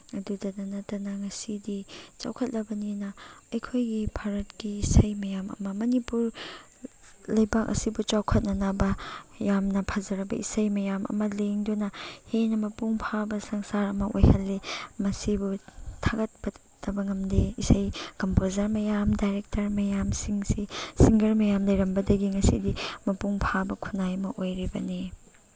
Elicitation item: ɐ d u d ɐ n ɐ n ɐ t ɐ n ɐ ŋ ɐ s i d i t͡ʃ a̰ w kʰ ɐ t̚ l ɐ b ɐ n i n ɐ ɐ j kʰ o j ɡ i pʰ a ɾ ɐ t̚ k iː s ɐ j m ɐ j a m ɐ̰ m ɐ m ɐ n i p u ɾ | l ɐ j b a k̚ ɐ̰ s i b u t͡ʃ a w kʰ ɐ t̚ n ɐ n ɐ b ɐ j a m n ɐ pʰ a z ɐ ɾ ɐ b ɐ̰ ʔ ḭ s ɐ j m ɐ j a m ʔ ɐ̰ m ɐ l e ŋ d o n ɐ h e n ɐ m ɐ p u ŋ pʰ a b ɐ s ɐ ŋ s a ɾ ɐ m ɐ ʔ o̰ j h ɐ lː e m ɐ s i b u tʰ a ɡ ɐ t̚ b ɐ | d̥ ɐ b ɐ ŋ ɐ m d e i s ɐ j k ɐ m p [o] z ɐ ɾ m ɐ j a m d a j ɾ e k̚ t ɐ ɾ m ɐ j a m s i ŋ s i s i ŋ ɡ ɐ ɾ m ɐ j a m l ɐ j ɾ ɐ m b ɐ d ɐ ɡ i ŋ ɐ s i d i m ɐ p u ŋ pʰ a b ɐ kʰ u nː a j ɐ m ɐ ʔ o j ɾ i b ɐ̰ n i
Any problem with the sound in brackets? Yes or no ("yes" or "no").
no